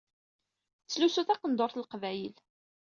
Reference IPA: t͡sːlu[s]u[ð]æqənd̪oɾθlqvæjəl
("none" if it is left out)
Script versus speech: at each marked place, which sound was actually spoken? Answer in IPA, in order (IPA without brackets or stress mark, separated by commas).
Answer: s, θ